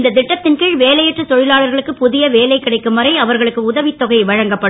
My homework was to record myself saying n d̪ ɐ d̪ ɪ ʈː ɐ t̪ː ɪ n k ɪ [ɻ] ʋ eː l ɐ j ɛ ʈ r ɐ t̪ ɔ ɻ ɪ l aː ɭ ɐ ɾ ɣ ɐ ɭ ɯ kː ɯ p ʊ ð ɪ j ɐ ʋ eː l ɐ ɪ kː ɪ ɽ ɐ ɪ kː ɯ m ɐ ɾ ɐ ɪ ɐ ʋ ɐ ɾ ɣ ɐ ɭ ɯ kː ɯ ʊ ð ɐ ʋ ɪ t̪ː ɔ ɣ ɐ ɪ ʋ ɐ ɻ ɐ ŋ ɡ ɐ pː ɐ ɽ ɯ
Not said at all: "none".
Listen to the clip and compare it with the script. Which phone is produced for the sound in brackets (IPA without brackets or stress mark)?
ɻ